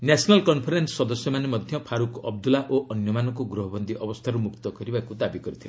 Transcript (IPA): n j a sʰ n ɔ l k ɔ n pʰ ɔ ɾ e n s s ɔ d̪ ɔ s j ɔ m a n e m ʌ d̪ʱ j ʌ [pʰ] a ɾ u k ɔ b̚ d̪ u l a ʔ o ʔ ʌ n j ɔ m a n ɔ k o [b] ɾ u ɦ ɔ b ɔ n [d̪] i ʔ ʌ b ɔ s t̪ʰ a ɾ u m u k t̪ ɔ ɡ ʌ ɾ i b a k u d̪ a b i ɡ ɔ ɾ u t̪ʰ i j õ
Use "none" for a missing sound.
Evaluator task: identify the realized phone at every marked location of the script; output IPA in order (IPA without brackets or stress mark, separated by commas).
pʰ, ɡ, d̪